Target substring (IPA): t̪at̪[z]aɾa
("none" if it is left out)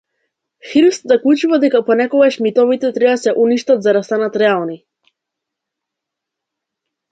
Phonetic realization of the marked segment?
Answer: z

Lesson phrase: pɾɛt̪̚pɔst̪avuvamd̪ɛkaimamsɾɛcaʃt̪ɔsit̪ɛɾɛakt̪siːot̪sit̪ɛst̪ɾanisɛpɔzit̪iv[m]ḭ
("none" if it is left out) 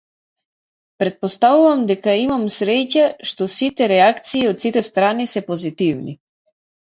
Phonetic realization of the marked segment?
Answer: n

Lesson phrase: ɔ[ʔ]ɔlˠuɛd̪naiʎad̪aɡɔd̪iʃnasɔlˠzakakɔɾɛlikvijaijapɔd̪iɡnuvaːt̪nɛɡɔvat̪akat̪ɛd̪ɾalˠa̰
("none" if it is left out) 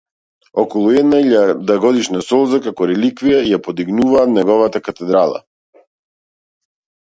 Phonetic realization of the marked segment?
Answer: k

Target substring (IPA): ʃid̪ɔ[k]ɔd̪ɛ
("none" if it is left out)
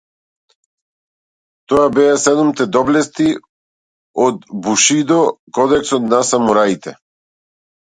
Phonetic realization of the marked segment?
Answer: k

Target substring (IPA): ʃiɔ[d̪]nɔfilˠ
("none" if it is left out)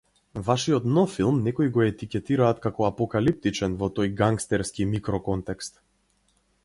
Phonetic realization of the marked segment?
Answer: t̪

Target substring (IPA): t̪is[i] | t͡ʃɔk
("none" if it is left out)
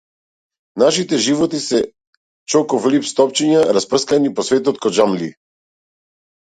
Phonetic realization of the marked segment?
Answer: ɛ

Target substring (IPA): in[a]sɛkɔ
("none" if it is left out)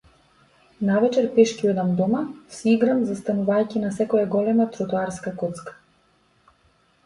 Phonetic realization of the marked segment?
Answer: a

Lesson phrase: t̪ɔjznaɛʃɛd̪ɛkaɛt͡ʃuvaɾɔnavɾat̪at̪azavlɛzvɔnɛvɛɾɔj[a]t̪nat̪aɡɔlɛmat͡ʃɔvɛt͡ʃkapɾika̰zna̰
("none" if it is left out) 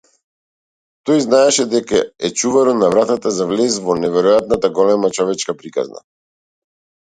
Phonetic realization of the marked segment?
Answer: a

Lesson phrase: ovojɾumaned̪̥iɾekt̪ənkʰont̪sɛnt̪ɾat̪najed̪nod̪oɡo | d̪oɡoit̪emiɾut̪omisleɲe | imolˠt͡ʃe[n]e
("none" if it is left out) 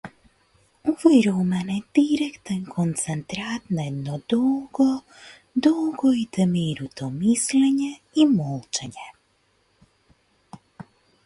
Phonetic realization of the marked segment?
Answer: ɲ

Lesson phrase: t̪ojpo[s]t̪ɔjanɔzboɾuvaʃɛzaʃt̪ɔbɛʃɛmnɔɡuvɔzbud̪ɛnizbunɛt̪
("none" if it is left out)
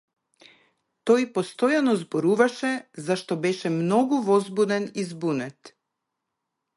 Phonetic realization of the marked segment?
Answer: s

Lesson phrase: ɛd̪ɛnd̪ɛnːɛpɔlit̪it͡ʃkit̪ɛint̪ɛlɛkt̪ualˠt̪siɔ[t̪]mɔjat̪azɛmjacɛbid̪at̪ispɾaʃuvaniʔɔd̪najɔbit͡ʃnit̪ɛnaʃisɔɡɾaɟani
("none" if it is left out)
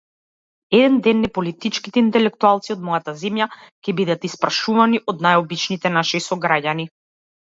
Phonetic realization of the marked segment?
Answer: d̪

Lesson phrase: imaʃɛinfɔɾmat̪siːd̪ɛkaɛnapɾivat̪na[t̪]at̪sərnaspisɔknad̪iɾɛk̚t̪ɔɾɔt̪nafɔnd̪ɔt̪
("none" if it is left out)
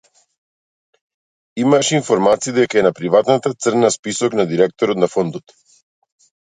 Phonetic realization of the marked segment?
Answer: t̪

